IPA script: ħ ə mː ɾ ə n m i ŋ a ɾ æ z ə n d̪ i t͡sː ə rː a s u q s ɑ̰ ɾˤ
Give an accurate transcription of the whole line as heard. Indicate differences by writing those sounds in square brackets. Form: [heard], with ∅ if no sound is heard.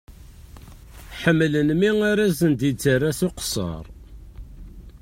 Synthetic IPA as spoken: ħ ə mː [l] ə n m i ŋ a ɾ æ z ə n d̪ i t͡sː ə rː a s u q s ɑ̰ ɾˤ